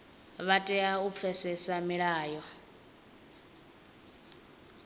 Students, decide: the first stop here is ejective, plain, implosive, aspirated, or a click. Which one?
ejective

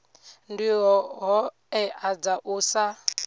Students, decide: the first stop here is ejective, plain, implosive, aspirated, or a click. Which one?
plain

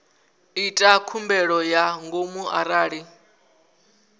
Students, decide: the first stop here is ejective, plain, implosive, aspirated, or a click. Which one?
ejective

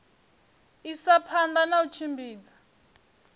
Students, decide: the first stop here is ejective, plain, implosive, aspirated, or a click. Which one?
aspirated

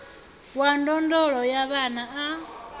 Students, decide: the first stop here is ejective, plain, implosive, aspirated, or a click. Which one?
plain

